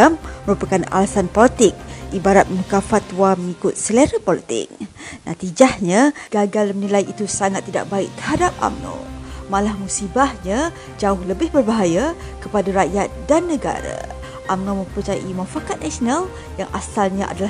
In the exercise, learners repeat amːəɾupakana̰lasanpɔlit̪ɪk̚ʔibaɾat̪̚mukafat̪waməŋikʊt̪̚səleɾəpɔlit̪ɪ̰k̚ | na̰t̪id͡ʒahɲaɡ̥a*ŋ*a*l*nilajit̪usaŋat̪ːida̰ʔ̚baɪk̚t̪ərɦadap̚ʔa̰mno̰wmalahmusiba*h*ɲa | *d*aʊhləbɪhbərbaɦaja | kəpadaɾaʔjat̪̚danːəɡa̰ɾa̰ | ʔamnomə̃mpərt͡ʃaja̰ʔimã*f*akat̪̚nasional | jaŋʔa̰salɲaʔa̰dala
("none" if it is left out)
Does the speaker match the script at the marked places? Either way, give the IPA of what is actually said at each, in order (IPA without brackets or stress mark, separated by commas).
ɡ, l, h, d͡ʒ, f